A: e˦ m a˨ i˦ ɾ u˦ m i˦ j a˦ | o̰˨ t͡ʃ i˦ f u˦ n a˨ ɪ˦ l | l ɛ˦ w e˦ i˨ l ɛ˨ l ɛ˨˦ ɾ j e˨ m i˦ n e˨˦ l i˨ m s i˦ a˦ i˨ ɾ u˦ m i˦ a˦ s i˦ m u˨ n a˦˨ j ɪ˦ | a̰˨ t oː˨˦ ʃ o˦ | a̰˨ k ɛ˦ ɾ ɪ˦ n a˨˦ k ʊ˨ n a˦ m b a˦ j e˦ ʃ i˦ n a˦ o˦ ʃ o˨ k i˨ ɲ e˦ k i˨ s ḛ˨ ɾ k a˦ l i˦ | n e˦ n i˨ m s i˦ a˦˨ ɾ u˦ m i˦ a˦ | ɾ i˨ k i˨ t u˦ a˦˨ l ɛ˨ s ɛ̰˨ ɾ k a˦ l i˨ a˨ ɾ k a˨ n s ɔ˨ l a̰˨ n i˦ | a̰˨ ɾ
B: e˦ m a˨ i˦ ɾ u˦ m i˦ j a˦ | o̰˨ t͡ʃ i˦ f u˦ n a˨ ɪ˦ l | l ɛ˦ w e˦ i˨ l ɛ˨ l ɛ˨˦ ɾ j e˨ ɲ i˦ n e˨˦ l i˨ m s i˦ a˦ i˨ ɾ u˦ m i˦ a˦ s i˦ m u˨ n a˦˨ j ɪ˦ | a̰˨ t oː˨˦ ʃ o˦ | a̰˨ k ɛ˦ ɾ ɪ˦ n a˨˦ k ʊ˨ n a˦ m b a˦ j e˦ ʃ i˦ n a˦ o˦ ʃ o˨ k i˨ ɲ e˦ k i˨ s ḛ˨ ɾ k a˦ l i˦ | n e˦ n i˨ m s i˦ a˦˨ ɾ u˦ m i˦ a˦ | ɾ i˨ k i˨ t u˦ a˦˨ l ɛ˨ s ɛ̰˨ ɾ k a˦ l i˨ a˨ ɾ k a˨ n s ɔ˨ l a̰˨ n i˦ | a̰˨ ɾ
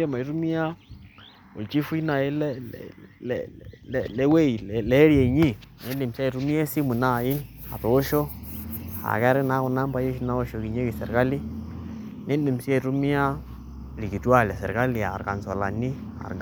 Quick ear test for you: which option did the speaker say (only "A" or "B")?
B